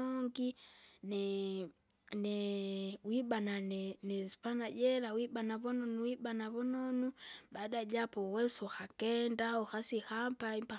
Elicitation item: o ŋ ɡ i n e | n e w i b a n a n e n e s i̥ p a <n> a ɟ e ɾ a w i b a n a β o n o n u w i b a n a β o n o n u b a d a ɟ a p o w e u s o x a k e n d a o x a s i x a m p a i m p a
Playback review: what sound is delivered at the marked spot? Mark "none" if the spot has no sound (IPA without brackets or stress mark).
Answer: n